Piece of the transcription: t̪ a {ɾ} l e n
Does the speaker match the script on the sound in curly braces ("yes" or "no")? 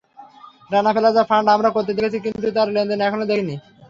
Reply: yes